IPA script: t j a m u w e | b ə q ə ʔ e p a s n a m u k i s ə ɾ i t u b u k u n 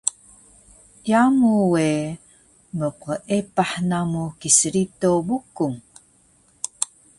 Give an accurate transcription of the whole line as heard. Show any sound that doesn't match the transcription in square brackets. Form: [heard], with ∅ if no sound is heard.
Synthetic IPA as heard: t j a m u w e | [m] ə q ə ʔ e p a [ħ] n a m u k i s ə ɾ i t [o] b u k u [ŋ]